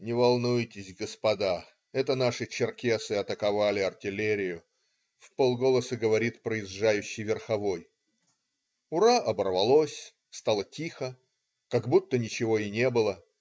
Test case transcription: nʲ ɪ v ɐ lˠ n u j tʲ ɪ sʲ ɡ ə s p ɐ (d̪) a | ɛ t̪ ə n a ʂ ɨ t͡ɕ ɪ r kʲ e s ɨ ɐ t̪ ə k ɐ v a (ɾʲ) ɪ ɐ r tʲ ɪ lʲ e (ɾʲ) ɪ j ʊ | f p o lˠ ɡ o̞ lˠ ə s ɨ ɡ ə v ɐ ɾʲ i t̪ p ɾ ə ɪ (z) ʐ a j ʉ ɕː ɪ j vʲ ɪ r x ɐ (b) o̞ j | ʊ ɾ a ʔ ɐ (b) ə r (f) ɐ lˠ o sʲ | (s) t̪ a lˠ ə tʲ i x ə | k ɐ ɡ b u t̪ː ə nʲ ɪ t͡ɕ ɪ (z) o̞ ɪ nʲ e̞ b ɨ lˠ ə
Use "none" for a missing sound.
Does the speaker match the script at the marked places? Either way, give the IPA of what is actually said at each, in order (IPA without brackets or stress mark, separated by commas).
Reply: d̪, lʲ, ɾʲ, z, v, b, v, s, v